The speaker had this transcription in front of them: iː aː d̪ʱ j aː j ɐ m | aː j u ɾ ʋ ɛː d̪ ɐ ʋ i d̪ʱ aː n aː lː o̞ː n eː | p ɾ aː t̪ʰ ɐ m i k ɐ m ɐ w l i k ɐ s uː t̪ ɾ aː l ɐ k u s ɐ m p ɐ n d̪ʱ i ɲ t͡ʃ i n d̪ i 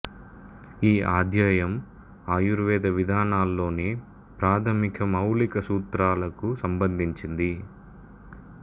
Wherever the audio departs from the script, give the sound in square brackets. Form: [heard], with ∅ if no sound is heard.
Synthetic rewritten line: iː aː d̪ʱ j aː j ɐ m | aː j u ɾ ʋ ɛː d̪ ɐ ʋ i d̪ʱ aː n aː lː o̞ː n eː | p ɾ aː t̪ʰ ɐ m i k ɐ m ɐ w l i k ɐ s uː t̪ ɾ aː l ɐ k u s ɐ m [b] ɐ n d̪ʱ i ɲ t͡ʃ i n d̪ i